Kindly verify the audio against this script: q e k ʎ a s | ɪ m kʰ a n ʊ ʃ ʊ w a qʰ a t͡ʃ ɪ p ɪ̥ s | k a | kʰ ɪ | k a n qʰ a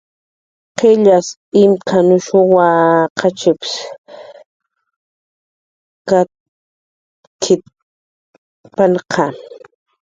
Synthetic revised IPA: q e ʎ a s | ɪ m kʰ a n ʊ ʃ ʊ w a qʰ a t͡ʃ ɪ p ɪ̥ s | k a | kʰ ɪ | p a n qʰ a